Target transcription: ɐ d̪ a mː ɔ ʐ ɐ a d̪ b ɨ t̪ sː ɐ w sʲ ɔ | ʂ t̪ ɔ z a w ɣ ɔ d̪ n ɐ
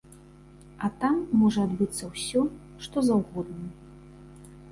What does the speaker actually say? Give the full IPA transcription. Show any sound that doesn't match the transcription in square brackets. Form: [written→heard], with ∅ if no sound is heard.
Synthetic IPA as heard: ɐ [d̪→t̪] a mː ɔ ʐ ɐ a d̪ b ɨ t̪ sː ɐ w sʲ ɔ | ʂ t̪ ɔ z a w ɣ ɔ d̪ n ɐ